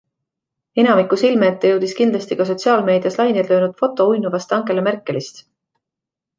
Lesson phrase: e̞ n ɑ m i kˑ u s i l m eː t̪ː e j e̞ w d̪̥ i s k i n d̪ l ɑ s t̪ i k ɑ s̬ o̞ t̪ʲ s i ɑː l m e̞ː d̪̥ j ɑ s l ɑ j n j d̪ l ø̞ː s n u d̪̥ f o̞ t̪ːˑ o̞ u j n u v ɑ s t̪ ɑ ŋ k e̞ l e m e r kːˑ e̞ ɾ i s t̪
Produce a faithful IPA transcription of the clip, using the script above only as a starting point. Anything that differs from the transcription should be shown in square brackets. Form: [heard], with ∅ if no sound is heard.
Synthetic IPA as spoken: e̞ n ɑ m i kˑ u s i l m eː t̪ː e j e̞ w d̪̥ i s k i n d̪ l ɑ s t̪ i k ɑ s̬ o̞ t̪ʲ s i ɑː l m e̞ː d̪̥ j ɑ s l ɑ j n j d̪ l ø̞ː [∅] n u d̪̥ f o̞ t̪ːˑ o̞ u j n u v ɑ s t̪ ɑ ŋ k e̞ l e m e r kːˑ e̞ [l] i s t̪